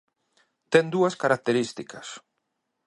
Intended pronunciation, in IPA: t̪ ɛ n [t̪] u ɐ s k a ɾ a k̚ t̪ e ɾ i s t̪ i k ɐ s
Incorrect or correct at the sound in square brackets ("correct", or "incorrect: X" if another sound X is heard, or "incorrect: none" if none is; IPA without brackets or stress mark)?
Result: incorrect: d̪